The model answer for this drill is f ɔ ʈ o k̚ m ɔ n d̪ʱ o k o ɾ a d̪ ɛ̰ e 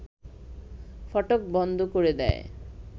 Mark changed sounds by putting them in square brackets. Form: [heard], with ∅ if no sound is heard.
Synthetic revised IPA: f ɔ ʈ o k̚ [b] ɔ n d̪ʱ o k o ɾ [e] d̪ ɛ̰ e